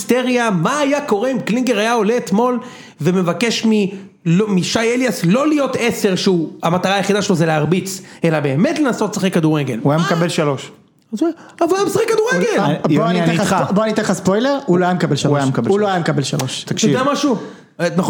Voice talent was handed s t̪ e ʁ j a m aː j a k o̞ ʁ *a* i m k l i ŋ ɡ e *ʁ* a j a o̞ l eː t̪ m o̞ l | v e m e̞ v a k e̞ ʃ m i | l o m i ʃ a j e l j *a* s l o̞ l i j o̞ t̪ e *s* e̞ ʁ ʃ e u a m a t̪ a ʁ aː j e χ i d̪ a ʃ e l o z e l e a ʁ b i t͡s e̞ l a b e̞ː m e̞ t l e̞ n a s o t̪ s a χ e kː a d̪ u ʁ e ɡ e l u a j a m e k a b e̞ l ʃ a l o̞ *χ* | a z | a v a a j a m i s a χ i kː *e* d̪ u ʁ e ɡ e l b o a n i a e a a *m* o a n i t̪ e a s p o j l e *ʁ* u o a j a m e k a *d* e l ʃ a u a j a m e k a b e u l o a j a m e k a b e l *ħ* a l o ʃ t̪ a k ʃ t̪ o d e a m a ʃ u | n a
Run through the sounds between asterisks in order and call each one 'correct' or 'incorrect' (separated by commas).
incorrect, correct, correct, correct, incorrect, incorrect, incorrect, correct, incorrect, incorrect